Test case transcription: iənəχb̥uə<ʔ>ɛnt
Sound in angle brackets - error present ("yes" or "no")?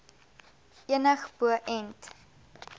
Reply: no